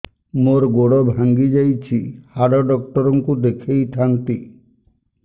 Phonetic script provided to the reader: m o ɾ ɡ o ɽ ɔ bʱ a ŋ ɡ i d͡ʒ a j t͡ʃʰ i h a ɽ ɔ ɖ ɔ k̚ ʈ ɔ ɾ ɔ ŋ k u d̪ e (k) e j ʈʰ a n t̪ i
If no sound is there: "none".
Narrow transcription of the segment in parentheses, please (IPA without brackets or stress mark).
kʰ